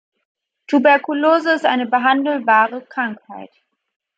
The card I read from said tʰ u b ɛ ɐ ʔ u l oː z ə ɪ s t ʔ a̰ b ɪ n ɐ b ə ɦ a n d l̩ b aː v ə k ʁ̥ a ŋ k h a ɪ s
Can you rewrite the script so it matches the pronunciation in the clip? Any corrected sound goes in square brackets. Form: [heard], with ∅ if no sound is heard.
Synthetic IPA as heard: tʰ u b ɛ ɐ [k] u l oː z ə ɪ s t ʔ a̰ [∅] ɪ n [ə] b ə ɦ a n d l̩ b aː [ʁ] ə k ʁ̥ a ŋ k h a ɪ [t]